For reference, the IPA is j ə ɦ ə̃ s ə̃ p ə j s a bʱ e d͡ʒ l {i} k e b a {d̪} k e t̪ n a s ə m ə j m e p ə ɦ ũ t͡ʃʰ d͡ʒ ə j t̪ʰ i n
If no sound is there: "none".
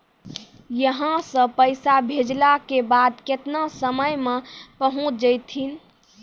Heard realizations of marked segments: a, d̪

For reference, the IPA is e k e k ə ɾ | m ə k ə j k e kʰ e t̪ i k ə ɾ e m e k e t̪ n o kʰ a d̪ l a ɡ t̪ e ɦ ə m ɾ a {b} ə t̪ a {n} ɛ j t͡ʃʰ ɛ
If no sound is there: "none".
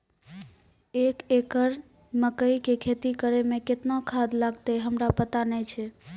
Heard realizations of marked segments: p, n

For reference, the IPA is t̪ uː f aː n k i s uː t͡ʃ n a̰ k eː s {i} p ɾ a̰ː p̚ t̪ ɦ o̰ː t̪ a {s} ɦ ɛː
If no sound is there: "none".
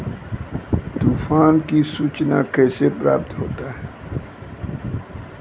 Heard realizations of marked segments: e, none

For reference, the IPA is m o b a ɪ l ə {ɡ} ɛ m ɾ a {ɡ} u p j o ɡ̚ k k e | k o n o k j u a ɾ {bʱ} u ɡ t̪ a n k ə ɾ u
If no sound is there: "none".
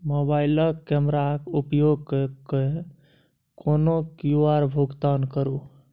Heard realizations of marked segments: k, k, bʱ

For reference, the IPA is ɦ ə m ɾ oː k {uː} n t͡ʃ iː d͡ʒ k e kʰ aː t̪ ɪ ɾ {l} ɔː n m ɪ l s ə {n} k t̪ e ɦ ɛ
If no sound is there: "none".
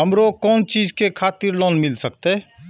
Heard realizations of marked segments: ɔː, l, none

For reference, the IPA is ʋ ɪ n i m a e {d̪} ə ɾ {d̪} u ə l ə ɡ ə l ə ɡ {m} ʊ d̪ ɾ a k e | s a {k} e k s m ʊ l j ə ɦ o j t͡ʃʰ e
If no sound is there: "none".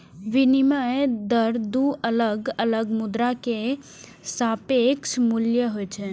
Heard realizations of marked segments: d̪, d̪, m, p

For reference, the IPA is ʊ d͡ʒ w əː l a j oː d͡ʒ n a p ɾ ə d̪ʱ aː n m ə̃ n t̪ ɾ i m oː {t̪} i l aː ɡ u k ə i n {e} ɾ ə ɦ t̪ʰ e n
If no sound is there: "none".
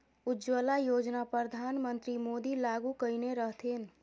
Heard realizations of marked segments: d̪, e

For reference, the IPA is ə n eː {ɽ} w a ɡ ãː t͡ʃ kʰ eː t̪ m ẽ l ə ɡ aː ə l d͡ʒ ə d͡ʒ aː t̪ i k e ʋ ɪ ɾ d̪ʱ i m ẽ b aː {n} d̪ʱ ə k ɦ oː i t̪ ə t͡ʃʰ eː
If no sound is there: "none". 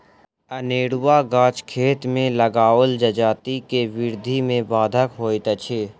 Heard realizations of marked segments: ɽ, none

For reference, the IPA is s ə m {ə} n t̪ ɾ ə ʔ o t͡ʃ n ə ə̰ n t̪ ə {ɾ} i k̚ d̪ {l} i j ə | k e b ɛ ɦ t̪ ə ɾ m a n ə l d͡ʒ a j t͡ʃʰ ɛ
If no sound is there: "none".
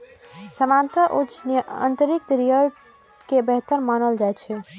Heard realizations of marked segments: a, ɾ, ɾ

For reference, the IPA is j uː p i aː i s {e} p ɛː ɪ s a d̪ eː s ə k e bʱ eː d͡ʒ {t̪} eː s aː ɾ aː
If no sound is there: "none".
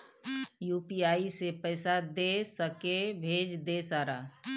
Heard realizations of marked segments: e, d̪

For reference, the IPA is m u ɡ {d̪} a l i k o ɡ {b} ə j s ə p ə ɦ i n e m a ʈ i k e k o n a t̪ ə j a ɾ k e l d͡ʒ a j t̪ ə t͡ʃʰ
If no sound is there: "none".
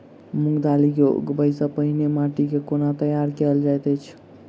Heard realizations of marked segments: d̪, b

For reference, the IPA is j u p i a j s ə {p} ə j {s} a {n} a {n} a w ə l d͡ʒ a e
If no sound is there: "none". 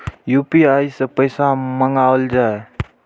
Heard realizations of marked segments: p, s, m, ŋ

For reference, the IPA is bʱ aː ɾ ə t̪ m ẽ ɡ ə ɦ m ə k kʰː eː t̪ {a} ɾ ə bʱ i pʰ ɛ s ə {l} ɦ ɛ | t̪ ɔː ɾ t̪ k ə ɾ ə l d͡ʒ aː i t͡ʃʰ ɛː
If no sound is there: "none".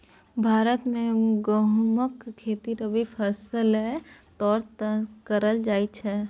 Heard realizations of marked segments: i, l

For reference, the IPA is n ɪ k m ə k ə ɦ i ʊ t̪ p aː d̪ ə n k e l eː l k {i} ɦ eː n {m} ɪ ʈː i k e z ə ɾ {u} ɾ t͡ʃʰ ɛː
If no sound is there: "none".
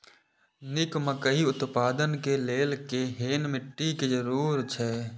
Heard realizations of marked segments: e, m, uː

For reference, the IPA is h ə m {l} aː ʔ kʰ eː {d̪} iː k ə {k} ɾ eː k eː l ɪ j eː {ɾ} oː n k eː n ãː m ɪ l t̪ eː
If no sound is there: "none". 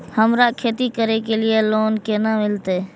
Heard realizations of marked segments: ɾ, t̪, none, l

